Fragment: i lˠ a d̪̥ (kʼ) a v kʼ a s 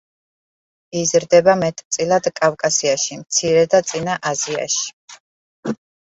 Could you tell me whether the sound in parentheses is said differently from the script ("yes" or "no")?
no